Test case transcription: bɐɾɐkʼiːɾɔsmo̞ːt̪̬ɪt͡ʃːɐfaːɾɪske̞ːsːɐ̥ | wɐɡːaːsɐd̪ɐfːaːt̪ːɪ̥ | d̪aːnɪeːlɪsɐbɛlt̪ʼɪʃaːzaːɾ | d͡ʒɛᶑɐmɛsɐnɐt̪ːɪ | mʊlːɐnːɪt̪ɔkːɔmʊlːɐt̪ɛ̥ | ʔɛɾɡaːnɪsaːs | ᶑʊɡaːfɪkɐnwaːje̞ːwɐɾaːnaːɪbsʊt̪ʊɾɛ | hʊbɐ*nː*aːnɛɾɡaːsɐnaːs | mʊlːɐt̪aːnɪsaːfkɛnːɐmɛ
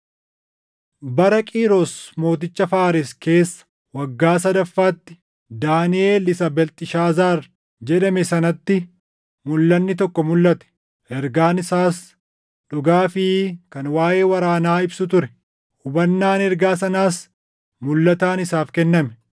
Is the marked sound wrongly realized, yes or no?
no